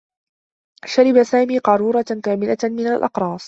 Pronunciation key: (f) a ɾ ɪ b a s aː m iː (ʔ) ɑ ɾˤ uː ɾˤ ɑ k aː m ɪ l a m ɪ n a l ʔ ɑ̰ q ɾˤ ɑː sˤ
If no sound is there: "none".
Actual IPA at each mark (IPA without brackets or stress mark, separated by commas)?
ʃ, q